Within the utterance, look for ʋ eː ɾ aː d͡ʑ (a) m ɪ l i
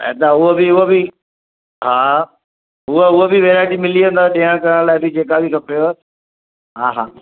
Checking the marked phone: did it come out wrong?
yes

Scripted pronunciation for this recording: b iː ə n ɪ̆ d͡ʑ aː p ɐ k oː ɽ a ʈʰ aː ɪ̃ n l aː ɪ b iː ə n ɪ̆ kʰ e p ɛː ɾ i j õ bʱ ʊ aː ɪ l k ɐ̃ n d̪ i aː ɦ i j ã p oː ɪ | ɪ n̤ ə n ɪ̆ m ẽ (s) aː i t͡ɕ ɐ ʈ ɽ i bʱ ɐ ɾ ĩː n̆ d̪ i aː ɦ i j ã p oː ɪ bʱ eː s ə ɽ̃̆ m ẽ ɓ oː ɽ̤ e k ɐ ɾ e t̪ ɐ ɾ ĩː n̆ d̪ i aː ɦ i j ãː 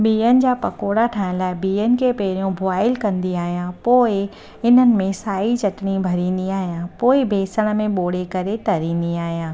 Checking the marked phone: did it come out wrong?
no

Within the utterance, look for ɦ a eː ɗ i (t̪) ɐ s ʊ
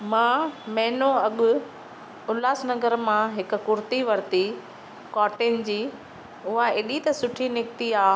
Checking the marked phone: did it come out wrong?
no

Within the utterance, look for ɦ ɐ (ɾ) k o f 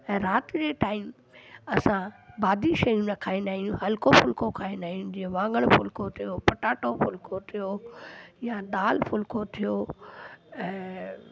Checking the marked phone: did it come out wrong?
yes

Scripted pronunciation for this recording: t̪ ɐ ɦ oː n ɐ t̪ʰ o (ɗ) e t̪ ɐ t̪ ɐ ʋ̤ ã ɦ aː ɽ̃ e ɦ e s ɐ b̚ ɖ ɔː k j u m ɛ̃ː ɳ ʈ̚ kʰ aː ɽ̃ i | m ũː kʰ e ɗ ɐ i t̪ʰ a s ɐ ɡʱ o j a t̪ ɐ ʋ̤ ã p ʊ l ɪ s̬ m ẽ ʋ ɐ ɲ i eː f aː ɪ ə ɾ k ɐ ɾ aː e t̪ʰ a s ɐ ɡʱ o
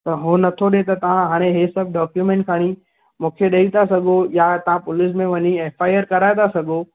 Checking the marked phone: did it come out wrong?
no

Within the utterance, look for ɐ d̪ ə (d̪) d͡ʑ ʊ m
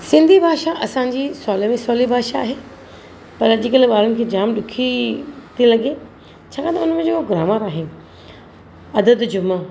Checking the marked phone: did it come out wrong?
no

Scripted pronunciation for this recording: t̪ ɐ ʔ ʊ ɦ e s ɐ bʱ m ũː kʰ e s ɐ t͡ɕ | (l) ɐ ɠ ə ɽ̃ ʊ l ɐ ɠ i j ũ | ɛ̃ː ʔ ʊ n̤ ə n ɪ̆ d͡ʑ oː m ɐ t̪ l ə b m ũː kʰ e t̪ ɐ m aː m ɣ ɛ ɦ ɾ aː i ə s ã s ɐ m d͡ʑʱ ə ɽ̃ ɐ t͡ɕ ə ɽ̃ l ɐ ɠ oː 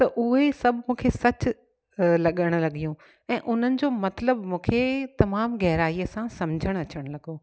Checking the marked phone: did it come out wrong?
no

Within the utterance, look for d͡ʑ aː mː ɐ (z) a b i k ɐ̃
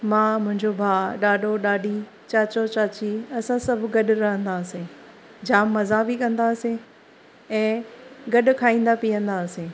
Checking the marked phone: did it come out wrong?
no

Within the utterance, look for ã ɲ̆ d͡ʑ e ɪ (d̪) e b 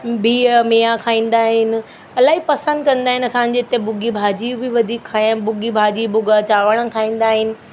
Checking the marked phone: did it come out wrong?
yes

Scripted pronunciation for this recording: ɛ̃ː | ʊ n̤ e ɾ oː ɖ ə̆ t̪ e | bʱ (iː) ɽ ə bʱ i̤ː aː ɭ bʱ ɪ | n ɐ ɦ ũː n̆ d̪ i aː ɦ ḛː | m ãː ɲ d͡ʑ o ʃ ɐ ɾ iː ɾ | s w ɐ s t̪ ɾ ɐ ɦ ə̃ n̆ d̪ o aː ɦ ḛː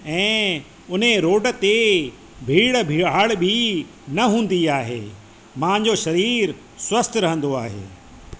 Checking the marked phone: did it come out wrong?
no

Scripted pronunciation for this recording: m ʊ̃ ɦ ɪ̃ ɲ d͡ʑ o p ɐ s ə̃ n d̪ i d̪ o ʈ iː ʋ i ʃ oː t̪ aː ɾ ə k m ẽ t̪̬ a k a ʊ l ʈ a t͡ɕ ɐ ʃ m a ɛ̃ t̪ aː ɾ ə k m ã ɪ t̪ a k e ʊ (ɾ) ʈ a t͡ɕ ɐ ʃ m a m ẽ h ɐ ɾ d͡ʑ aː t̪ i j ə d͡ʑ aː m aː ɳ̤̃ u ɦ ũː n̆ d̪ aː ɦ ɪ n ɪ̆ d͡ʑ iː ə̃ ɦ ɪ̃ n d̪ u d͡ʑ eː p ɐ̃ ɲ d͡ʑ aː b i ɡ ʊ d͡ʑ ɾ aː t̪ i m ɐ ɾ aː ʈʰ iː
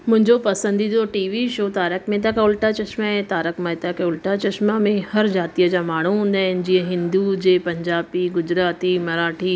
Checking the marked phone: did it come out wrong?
yes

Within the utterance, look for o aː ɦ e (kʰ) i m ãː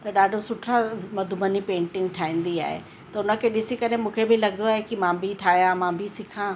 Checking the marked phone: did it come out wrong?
yes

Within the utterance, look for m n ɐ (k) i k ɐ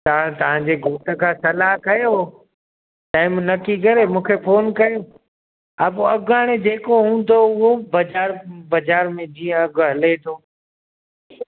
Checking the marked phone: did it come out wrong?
no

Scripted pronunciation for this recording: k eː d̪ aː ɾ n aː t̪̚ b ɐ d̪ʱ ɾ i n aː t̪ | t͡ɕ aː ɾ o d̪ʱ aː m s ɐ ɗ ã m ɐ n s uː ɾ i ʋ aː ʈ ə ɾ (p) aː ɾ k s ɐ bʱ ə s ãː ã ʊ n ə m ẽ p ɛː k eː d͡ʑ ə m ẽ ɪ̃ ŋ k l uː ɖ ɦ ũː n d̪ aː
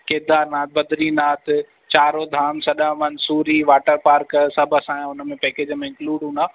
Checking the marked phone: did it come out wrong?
no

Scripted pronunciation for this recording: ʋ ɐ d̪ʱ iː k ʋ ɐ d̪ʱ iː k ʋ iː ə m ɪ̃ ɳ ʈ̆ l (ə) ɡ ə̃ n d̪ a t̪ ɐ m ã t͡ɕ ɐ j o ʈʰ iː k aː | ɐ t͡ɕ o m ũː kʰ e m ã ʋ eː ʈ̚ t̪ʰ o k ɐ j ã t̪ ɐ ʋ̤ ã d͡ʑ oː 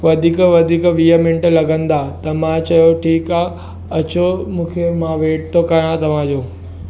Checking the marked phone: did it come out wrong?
yes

